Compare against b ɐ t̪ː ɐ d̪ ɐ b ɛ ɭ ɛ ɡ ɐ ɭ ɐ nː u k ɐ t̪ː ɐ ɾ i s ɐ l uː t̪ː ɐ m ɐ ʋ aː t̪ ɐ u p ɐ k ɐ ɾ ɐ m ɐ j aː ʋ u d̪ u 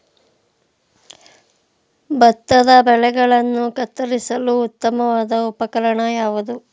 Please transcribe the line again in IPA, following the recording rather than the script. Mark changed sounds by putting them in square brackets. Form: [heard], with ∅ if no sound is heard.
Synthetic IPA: b ɐ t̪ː ɐ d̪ ɐ b ɛ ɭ ɛ ɡ ɐ ɭ ɐ nː u k ɐ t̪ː ɐ ɾ i s ɐ l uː t̪ː ɐ m ɐ ʋ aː [d̪] ɐ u p ɐ k ɐ ɾ ɐ [ɳ] ɐ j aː ʋ u d̪ u